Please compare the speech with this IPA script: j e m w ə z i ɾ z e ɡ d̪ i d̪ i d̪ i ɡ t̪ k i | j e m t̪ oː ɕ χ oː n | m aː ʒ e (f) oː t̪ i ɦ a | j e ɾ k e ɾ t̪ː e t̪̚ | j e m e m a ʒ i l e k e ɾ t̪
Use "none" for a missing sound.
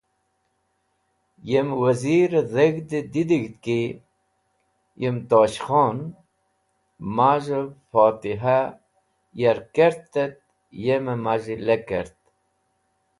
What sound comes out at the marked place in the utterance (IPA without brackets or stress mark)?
f